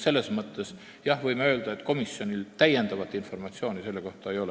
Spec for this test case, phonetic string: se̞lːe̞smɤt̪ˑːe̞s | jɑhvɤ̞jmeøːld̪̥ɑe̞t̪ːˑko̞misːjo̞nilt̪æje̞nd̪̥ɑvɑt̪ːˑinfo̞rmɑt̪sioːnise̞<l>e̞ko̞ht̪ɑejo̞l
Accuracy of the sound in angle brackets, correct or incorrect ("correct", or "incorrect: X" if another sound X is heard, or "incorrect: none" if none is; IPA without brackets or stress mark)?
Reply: incorrect: lː